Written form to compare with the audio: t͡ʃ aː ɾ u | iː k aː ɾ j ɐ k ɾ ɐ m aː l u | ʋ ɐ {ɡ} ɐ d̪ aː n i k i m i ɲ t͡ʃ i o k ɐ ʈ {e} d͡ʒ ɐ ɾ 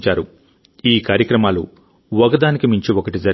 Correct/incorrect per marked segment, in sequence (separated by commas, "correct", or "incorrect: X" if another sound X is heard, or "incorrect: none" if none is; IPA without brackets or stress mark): correct, incorrect: i